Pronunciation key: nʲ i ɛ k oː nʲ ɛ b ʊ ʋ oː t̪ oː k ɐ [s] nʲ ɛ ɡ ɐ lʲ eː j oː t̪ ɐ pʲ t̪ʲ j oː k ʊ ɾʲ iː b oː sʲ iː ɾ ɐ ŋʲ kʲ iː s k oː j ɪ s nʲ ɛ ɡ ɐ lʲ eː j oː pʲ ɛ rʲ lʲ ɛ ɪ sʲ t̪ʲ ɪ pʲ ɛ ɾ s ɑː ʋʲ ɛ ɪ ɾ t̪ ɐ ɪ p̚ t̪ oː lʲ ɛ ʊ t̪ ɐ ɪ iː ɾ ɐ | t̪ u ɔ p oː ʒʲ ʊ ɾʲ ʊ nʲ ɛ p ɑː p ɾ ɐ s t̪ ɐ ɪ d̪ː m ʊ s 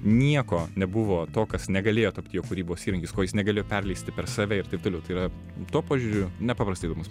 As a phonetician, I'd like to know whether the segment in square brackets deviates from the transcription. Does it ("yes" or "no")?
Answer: no